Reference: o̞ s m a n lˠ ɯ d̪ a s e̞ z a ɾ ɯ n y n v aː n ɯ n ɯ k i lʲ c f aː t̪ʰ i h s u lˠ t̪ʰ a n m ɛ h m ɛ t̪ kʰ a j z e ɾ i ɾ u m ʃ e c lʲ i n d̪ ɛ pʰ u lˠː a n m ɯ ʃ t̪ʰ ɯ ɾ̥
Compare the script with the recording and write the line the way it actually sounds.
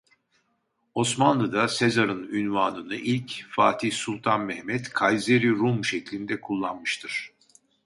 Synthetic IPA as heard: o̞ s m a n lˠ ɯ d̪ a s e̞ z a ɾ ɯ n y n v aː n ɯ n ɯ ʔ i lʲ c f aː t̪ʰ i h s u lˠ t̪ʰ a n m ɛ h m ɛ t̪ kʰ a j z e ɾ i ɾ u m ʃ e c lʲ i n d̪ ɛ kʰ u lˠː a n m ɯ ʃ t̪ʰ ɯ ɾ̥